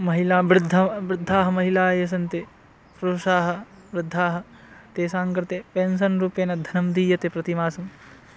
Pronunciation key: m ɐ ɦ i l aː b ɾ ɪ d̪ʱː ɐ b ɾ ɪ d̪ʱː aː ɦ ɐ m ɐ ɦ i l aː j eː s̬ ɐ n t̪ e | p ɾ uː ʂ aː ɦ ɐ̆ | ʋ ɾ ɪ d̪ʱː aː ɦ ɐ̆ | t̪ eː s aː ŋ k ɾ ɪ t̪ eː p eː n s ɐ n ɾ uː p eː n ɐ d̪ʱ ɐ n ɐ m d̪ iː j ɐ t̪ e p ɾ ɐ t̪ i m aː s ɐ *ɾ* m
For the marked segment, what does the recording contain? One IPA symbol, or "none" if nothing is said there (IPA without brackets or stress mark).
none